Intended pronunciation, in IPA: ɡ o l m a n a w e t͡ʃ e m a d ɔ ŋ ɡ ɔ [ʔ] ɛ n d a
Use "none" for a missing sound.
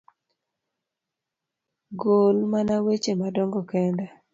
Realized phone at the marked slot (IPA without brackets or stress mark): k